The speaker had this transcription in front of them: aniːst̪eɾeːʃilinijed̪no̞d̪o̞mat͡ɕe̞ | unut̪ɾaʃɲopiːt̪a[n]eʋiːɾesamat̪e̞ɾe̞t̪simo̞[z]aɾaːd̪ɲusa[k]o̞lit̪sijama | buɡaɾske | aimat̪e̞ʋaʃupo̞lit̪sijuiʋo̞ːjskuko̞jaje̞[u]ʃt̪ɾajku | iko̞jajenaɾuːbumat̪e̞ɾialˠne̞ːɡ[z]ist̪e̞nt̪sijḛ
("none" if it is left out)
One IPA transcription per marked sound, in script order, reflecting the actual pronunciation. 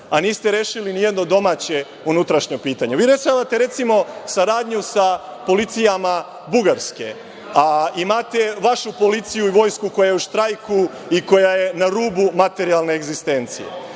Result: ɲ, s, p, u, z

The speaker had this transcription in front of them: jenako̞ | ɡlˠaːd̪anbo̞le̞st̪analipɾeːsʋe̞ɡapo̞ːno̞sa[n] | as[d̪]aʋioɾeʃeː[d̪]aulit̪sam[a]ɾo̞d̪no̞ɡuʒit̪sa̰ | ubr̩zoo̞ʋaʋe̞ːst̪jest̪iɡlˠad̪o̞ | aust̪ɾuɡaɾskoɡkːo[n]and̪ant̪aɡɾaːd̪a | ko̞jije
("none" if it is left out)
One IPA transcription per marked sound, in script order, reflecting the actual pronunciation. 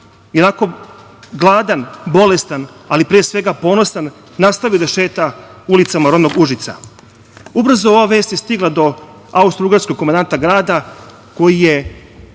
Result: nː, t̪, t̪, a, m

